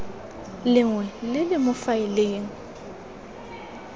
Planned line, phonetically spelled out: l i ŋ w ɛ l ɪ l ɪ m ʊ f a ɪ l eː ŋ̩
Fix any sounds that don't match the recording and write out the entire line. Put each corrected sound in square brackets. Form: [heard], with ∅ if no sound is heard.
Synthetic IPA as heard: l [ɪ] ŋ w ɛ l ɪ l ɪ m ʊ f a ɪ l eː ŋ̩